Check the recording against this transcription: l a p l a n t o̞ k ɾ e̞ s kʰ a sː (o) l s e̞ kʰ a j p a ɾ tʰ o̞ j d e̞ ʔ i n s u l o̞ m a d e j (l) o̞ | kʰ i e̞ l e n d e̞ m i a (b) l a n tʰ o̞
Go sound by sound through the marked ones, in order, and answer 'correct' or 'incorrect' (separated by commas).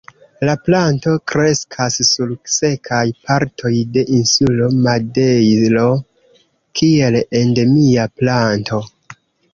incorrect, correct, incorrect